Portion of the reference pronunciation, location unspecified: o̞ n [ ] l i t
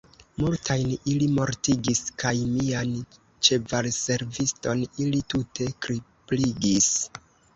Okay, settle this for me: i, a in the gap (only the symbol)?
i